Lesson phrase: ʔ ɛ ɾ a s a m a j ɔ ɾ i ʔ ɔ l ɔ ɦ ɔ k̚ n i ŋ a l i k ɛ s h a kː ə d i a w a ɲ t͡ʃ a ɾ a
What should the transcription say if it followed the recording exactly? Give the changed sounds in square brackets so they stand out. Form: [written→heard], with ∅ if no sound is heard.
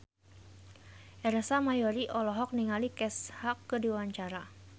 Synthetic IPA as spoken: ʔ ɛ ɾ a s a m a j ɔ ɾ i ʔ ɔ l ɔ ɦ ɔ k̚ n i ŋ a l i k ɛ s h a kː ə d i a w a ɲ t͡ʃ a ɾ a